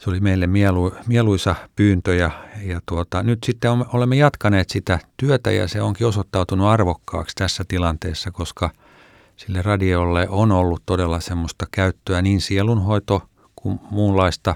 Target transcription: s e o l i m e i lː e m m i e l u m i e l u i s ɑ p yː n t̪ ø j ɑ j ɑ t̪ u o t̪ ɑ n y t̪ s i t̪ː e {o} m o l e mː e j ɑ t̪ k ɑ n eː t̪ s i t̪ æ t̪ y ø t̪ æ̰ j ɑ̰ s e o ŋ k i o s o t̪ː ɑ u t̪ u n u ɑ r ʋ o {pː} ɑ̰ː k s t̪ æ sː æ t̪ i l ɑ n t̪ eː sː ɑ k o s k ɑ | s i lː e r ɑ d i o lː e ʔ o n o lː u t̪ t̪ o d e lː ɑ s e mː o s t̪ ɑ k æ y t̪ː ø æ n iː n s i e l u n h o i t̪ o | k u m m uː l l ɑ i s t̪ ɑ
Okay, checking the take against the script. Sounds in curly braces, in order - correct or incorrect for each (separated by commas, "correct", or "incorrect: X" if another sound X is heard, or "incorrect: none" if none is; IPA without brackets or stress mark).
correct, incorrect: kː